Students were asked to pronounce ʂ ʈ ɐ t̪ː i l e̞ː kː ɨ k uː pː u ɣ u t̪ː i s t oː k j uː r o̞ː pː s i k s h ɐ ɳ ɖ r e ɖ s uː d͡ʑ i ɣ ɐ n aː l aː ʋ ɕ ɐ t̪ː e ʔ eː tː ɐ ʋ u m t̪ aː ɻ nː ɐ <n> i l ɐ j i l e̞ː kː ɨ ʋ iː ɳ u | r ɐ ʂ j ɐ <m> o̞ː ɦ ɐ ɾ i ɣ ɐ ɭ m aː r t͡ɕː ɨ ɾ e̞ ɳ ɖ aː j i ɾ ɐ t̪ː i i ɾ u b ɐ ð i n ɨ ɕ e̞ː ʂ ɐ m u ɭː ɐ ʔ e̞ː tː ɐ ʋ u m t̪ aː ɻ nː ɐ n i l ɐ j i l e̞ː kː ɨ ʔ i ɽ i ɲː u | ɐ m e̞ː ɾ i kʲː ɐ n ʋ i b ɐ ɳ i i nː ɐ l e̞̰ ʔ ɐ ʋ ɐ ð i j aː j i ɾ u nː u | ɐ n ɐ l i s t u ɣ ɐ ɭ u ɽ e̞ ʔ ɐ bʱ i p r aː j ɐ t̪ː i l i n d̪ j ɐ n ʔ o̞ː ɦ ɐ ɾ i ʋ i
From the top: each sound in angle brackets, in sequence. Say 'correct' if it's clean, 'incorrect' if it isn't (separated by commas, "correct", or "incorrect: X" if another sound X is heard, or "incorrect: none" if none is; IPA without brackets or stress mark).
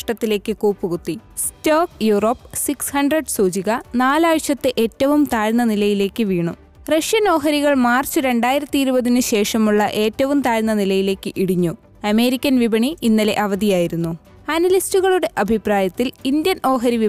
correct, incorrect: n